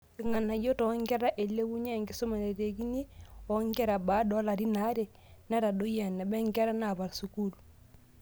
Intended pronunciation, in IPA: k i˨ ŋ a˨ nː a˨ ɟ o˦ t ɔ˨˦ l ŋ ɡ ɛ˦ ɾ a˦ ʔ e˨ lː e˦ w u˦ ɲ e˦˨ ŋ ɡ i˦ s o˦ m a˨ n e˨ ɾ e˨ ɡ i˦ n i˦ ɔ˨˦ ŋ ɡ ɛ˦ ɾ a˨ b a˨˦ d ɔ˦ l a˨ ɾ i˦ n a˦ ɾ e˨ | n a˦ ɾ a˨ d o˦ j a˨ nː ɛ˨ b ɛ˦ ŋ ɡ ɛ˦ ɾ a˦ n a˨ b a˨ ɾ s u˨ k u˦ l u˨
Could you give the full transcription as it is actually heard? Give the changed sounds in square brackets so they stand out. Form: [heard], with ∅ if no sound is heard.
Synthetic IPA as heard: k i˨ ŋ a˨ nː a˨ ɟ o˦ t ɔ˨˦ [∅] ŋ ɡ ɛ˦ ɾ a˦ ʔ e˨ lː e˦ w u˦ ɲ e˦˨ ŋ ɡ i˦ s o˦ m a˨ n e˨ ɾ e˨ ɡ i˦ n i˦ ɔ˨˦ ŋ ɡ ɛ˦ ɾ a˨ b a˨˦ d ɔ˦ l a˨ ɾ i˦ n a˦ ɾ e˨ | n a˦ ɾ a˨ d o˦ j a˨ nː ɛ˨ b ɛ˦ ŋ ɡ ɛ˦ ɾ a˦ n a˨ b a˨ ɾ s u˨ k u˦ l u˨